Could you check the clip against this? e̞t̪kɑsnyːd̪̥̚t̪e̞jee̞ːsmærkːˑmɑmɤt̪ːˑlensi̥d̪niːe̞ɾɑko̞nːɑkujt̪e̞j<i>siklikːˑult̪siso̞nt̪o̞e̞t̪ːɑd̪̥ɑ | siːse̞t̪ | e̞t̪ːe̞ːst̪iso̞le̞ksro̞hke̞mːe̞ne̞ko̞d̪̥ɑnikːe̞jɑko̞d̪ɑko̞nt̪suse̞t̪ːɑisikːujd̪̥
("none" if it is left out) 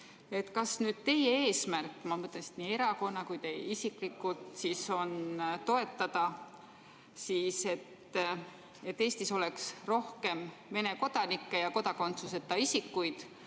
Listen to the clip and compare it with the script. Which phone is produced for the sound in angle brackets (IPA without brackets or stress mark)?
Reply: i